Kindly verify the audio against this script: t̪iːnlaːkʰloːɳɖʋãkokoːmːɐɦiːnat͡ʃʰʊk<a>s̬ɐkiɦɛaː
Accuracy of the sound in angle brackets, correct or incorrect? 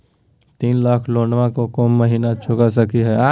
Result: correct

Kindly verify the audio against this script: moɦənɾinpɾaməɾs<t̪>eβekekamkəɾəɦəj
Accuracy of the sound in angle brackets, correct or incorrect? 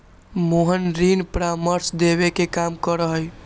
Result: incorrect: d̪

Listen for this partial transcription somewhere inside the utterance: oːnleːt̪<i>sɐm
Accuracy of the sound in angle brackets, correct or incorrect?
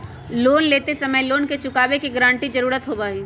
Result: incorrect: e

